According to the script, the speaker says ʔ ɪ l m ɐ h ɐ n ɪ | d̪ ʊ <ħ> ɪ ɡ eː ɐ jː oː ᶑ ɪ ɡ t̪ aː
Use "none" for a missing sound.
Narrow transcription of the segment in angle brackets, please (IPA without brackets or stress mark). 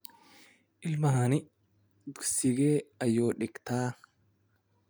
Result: s